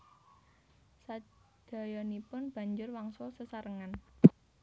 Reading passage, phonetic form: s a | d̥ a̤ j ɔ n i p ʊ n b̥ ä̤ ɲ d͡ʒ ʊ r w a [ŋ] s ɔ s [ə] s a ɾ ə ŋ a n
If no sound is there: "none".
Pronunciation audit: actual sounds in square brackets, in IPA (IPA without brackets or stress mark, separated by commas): ŋ, ə